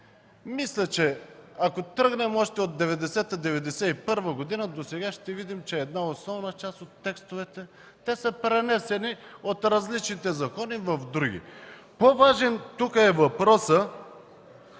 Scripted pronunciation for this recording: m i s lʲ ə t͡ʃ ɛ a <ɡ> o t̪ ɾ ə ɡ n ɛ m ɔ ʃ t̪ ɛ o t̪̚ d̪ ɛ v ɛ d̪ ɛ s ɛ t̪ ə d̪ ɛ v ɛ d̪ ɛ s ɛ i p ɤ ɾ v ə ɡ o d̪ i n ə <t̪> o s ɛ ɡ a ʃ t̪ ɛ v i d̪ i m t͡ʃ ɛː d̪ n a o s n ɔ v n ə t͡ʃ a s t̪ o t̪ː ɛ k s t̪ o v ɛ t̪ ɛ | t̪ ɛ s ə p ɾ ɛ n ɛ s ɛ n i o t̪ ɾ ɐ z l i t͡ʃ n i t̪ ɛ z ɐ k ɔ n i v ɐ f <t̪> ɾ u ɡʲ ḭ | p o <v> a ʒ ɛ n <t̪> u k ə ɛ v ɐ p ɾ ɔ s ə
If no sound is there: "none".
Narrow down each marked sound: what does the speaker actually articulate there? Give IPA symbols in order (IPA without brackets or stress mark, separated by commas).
k, d̪, d̪, v, t̪